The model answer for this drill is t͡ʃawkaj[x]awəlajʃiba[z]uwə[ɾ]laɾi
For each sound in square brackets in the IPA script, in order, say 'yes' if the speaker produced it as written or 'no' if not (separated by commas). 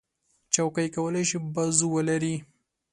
no, yes, no